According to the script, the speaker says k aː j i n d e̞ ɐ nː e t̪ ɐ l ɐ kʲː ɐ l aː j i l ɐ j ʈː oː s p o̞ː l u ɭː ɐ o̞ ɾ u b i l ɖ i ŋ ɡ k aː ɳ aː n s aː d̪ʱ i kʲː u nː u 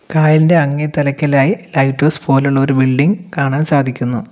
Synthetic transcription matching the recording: k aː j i n d e̞ ɐ ŋː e t̪ ɐ l ɐ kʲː ɐ l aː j i l ɐ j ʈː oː s p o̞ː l u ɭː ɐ o̞ ɾ u b i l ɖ i ŋ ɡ k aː ɳ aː n s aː d̪ʱ i kʲː u nː u